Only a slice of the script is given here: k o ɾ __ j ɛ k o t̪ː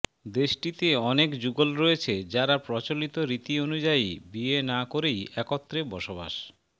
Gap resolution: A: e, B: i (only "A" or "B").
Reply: A